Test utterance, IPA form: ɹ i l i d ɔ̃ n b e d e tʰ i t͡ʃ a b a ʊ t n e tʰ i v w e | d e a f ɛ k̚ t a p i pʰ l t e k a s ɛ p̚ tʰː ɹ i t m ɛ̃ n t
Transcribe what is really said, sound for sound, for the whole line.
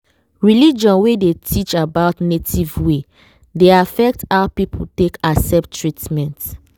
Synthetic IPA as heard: ɹ i l i d͡ʒ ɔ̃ n w e d e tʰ i t͡ʃ a b a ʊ t n e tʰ i v w e | d e a f ɛ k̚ t a p i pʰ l t e k a s ɛ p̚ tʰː ɹ i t m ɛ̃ n t